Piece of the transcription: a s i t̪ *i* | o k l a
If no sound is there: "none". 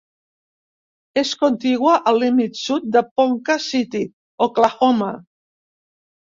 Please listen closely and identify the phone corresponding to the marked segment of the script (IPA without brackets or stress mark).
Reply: i